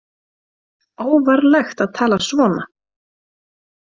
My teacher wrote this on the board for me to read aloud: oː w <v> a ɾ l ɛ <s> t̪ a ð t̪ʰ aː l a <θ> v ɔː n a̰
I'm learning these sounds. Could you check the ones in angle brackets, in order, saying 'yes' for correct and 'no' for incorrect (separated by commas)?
yes, no, no